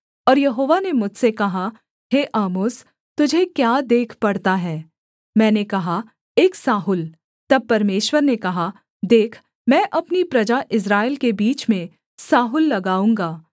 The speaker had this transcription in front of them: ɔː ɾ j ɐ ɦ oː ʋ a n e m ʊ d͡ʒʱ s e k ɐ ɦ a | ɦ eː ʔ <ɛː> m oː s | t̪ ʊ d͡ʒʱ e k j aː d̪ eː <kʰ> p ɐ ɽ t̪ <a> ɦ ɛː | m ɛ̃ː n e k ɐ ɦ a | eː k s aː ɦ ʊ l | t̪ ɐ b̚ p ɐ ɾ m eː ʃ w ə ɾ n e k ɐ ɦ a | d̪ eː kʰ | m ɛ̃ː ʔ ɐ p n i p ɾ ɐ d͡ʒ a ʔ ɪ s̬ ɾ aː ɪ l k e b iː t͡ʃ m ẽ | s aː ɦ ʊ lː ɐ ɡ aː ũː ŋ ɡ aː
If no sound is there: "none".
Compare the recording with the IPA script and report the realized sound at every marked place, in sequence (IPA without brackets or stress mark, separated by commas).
aː, kʰ, a